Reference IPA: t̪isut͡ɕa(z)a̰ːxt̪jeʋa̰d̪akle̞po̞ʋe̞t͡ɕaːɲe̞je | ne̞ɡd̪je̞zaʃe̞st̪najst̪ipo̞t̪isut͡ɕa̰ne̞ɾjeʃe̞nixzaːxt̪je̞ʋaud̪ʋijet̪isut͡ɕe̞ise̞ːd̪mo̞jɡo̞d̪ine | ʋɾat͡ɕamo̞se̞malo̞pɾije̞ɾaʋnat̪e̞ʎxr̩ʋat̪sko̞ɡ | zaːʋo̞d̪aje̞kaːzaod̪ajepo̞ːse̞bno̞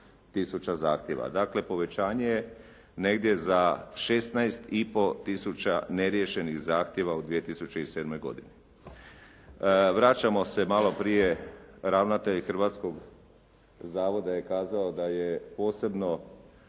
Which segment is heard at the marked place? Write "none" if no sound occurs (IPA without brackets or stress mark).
z